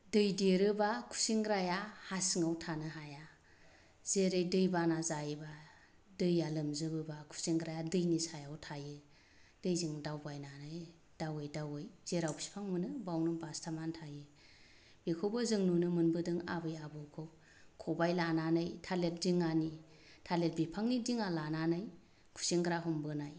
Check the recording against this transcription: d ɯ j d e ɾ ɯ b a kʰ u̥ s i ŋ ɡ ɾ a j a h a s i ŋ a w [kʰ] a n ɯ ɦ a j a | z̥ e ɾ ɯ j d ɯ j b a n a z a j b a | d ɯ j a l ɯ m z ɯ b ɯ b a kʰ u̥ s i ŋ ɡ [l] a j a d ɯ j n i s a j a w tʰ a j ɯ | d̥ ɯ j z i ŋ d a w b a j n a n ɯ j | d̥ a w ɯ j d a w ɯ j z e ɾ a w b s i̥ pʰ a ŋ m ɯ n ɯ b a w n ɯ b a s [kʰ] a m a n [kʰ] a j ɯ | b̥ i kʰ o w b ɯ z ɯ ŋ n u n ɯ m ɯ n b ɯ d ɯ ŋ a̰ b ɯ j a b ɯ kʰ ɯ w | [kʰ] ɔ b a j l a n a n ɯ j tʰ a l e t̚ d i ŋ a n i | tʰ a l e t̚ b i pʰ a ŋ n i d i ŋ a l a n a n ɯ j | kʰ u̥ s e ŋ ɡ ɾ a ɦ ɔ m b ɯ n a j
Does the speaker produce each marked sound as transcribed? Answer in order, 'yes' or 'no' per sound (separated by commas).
no, no, no, no, yes